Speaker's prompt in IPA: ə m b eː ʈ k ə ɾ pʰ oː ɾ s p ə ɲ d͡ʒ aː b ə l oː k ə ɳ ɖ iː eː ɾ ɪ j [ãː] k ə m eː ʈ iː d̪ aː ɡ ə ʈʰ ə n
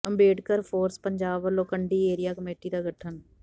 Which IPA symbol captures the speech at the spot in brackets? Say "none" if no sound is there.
aː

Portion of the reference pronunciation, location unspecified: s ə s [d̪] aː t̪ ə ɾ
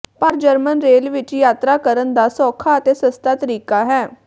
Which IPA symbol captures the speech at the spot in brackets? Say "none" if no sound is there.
t̪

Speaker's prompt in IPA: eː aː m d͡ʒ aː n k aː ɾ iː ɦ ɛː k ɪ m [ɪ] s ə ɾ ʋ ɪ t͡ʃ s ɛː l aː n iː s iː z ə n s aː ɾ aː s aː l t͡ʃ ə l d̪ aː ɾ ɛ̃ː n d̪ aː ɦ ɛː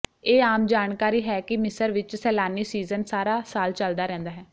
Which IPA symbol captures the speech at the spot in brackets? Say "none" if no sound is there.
ɪ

